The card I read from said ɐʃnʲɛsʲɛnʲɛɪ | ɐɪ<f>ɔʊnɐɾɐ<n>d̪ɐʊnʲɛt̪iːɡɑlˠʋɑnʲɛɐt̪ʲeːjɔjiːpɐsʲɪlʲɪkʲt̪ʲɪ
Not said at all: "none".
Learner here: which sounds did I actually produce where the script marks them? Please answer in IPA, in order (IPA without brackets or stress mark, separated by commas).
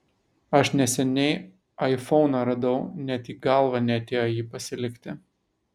f, none